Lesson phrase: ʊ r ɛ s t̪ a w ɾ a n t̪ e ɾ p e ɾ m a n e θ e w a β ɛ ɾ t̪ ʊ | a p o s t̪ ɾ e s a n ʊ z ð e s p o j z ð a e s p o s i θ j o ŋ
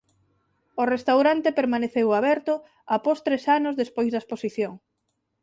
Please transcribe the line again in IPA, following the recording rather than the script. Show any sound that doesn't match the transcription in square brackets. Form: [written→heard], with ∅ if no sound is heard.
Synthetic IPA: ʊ r [ɛ→e] s t̪ a w ɾ a n t̪ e [ɾ→∅] p e ɾ m a n e θ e w a β ɛ ɾ t̪ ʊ | a p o s t̪ ɾ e s a n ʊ z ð e s p o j z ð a e s p o s i θ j o ŋ